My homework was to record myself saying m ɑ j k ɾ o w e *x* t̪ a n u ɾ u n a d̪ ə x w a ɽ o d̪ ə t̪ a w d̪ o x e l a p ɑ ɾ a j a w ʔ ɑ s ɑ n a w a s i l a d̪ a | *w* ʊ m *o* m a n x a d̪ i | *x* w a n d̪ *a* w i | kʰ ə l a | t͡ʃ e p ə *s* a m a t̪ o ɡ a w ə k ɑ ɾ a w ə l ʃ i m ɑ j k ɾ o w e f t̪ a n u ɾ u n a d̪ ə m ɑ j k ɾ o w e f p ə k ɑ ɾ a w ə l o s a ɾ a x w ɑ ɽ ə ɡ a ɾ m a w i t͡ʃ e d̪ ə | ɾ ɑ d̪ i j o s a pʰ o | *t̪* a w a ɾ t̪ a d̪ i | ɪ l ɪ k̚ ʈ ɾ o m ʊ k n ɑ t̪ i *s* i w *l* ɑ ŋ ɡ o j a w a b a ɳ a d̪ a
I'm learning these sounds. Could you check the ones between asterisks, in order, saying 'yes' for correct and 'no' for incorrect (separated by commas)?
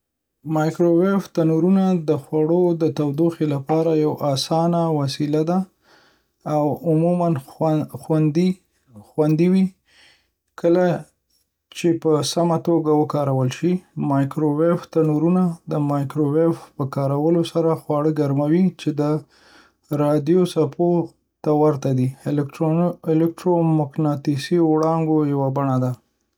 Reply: no, yes, no, yes, no, yes, yes, yes, no